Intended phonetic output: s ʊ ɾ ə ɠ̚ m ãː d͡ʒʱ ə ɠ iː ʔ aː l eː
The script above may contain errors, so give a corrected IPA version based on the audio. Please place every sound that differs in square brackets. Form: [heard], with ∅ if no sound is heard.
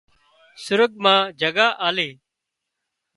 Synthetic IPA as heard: s ʊ ɾ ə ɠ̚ m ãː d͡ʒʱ ə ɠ [aː] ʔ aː l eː